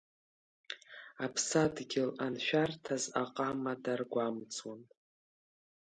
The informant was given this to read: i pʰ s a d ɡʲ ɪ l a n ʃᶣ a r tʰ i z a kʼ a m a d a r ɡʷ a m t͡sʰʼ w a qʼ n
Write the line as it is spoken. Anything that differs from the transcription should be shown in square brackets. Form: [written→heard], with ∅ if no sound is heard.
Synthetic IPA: [i→a] pʰ s a d ɡʲ ɪ l a n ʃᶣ a r tʰ [i→a] z a [kʼ→qʼ] a m a d a r ɡʷ a m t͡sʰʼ w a [qʼ→∅] n